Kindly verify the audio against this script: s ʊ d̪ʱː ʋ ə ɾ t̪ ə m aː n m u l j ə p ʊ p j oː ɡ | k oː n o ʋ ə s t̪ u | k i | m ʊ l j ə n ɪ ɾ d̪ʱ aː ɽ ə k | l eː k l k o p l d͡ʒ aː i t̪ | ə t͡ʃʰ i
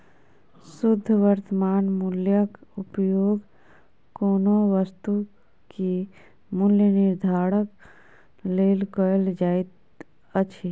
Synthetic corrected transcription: s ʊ d̪ʱː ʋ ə ɾ t̪ ə m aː n m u l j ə k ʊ p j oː ɡ | k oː n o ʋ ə s t̪ u | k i | m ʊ l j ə n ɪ ɾ d̪ʱ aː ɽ ə k | l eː l k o l d͡ʒ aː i t̪ | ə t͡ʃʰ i